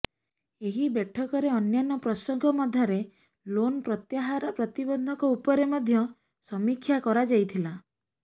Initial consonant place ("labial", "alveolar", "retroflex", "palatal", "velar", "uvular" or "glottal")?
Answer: glottal